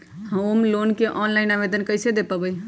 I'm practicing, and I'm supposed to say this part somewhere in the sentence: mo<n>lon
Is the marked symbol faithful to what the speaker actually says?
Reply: no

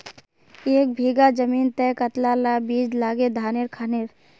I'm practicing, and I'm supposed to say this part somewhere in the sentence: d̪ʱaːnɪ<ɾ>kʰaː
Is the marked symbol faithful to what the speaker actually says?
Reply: yes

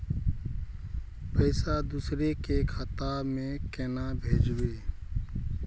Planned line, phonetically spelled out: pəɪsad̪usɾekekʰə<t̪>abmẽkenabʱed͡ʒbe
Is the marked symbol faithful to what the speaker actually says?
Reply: yes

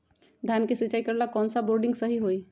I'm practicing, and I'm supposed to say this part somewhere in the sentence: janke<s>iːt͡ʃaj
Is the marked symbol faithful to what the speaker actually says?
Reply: yes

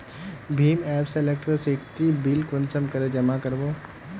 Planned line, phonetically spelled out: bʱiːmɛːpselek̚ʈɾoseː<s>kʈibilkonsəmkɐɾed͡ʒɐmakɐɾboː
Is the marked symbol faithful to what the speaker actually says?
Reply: no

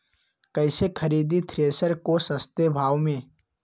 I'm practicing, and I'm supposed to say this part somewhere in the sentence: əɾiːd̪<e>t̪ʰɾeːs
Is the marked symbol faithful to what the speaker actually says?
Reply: no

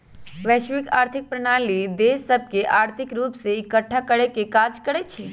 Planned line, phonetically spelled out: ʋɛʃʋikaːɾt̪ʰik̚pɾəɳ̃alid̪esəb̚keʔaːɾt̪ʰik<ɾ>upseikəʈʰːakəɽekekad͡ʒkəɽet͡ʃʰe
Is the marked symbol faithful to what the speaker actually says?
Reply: yes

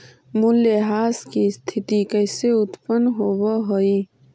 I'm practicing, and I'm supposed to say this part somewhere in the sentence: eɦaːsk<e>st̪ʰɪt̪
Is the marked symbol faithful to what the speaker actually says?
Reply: no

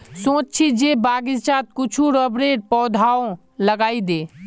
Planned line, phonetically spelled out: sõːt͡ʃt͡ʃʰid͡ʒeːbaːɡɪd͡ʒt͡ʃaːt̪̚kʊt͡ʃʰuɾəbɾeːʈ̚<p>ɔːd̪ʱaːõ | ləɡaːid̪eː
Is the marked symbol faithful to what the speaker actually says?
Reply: yes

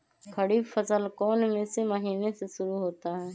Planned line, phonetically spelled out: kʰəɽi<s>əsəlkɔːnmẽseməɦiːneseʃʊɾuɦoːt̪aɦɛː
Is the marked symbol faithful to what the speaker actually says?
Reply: no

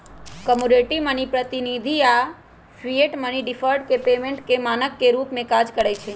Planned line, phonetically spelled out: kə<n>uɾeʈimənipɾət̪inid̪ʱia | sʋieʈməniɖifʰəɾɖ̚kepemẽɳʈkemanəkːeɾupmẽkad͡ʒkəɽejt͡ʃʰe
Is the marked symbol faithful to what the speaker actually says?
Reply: no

